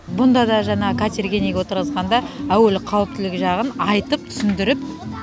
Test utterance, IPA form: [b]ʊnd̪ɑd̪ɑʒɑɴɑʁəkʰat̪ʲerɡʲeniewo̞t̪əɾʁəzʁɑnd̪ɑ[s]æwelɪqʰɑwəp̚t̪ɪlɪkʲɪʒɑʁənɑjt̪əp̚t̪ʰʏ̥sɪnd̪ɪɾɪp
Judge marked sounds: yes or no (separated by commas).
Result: yes, no